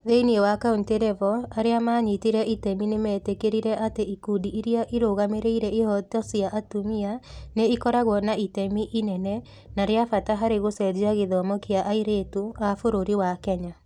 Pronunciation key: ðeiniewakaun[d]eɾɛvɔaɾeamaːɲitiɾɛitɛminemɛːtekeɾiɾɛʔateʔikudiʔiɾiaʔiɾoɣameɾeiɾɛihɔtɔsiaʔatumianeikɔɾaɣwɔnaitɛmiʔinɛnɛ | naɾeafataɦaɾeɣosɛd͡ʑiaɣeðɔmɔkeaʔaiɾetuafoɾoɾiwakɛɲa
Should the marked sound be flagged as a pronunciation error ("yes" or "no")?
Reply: yes